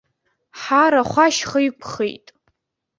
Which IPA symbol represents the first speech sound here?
ħ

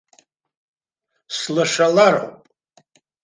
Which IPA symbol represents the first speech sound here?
s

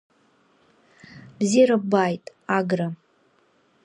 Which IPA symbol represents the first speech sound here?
b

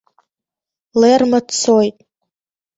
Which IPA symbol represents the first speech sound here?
l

